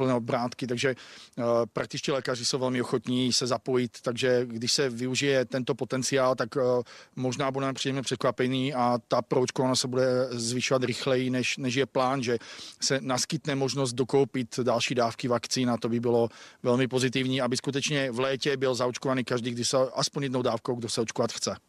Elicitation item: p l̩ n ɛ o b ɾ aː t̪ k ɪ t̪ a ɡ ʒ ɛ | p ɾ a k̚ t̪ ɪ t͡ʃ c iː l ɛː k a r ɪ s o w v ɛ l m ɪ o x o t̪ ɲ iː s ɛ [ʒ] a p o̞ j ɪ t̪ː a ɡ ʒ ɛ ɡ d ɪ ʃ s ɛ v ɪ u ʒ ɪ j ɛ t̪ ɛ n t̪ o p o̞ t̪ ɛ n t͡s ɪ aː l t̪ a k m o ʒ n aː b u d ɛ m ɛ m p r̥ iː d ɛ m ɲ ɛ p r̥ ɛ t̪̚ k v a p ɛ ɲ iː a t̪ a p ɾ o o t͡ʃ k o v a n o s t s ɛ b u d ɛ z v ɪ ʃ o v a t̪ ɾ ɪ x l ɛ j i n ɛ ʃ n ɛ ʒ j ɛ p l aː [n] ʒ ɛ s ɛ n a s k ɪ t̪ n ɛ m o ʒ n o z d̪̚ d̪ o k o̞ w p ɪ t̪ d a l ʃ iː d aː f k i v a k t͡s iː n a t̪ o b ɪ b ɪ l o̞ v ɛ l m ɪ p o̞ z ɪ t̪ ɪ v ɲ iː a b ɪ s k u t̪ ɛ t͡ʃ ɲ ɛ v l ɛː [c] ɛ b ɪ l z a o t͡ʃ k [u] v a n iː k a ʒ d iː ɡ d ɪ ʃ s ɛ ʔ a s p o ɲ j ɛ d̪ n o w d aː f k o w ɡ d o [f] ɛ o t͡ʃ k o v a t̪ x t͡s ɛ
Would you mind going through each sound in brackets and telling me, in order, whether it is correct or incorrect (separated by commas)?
incorrect, correct, correct, incorrect, incorrect